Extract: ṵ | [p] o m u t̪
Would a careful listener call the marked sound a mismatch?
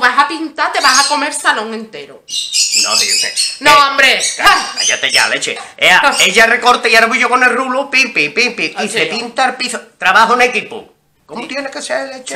yes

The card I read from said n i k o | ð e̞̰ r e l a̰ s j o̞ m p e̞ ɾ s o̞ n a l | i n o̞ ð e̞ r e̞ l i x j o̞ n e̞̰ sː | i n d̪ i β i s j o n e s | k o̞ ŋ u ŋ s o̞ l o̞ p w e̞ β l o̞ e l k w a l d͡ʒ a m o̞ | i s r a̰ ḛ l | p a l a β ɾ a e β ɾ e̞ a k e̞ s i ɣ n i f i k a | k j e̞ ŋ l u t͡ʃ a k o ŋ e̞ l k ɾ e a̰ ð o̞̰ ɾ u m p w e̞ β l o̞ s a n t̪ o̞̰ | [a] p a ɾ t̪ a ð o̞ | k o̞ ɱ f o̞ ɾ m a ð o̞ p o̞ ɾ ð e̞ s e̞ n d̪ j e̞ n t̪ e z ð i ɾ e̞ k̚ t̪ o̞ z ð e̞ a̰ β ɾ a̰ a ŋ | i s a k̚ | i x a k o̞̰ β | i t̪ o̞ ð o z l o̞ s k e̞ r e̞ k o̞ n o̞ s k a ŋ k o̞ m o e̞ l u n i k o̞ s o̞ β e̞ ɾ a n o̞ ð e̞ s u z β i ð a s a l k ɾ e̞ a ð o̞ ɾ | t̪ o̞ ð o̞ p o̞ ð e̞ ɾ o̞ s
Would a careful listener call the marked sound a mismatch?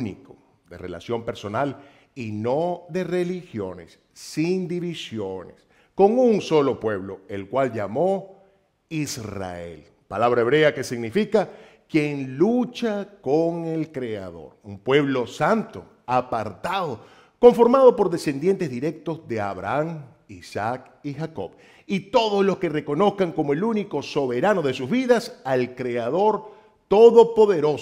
no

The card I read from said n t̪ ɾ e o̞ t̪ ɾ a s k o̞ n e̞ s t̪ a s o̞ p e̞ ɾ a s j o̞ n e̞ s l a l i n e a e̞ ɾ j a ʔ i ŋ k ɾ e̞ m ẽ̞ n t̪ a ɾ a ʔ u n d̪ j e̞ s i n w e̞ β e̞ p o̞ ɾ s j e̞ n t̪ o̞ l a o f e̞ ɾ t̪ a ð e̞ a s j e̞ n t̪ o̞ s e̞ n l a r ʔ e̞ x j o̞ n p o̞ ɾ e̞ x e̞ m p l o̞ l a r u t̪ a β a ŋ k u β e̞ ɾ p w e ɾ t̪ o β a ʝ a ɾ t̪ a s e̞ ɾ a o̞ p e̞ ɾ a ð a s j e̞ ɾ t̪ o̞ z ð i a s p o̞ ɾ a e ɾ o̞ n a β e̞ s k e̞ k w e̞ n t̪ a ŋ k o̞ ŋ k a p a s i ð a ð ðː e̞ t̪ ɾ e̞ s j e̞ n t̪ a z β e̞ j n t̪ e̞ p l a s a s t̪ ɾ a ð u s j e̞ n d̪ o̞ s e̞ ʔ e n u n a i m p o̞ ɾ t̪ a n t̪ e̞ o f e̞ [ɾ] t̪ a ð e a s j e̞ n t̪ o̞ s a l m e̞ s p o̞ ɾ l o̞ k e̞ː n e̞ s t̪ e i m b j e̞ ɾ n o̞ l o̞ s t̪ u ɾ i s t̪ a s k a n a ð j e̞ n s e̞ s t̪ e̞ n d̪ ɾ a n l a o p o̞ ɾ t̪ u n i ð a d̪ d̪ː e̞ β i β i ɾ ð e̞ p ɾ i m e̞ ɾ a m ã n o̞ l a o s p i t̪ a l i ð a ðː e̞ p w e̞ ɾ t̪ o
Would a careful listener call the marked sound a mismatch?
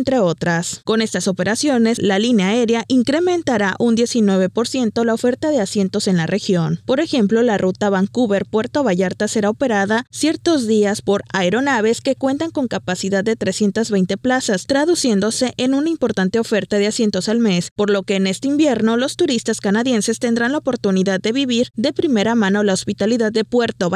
no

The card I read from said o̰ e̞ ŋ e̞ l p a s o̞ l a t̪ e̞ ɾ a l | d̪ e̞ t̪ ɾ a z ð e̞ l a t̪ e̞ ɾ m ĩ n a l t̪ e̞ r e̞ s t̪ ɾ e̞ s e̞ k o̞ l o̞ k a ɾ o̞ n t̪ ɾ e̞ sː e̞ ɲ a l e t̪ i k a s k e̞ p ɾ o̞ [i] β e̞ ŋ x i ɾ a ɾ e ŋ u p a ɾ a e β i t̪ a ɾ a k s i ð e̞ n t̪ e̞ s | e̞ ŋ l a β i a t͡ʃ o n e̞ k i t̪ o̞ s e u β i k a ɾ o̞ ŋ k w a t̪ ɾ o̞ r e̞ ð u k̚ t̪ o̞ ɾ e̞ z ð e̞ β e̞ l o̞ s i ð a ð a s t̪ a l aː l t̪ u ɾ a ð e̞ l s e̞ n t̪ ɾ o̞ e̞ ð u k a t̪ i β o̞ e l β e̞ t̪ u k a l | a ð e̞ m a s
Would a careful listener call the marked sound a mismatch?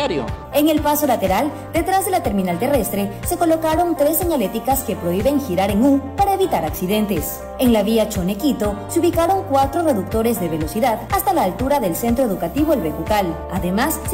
no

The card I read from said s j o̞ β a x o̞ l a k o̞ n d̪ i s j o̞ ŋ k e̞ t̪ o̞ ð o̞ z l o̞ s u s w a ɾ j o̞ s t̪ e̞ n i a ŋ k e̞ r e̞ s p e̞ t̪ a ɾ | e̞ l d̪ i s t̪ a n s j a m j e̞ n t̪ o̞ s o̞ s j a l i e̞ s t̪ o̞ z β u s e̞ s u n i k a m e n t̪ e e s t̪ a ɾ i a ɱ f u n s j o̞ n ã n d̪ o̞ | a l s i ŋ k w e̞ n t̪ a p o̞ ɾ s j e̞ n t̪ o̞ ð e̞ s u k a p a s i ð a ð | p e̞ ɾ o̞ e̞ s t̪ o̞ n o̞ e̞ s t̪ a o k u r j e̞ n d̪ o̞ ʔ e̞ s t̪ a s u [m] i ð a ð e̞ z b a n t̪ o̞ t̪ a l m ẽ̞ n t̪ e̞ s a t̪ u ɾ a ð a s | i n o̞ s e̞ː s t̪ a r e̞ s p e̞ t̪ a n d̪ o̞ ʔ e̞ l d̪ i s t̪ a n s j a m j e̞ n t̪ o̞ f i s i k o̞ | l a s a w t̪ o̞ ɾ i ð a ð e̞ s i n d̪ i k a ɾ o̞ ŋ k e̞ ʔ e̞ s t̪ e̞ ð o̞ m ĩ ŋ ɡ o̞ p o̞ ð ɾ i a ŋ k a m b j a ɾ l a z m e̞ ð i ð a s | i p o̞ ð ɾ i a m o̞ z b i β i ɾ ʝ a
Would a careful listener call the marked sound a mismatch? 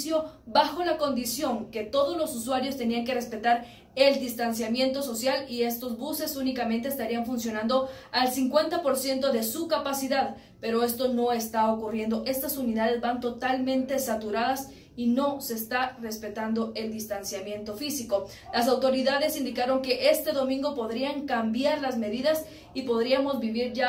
yes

